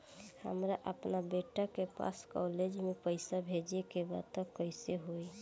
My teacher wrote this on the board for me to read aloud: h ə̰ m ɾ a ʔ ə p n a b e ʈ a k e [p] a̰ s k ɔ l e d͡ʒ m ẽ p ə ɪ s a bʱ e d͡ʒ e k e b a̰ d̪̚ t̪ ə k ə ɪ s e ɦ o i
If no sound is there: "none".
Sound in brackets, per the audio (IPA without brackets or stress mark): p